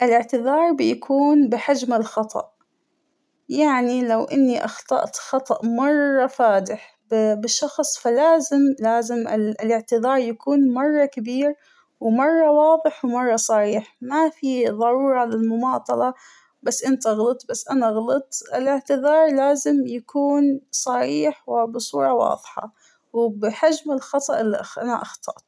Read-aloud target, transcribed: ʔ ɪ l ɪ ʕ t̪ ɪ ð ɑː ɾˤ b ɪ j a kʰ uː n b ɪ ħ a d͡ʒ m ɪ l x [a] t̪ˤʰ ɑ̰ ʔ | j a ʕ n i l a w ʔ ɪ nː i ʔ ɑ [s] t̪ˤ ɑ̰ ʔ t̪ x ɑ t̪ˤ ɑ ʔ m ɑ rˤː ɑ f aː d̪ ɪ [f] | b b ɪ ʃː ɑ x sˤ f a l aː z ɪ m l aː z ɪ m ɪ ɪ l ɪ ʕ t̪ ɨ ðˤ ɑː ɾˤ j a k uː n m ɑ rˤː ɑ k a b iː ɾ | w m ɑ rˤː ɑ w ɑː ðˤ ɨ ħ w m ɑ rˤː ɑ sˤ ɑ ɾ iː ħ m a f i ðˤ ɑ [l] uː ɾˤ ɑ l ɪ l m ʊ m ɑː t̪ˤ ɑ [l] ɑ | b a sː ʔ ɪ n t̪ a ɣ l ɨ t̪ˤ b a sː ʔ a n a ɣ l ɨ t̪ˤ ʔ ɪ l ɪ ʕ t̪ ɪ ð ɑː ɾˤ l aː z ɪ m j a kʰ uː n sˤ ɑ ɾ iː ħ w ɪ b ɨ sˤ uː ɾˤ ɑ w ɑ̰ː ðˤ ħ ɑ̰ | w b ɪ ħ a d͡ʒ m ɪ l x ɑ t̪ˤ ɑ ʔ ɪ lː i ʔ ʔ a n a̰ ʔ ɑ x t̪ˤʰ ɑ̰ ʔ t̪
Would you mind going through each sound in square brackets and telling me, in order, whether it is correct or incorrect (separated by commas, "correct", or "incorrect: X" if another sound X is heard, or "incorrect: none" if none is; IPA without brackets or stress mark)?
incorrect: ɑ, incorrect: x, incorrect: ħ, incorrect: ɾ, correct